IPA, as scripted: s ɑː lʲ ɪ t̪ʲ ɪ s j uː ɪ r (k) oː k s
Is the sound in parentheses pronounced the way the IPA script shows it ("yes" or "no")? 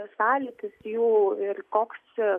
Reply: yes